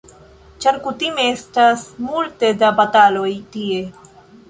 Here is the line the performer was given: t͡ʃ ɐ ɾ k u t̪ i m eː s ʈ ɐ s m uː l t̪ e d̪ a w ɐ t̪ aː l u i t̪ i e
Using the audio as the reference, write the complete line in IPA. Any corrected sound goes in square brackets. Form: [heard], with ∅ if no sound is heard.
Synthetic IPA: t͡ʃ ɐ ɾ k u t̪ i m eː s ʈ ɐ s m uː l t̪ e d̪ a [b] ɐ t̪ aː l [o] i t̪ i e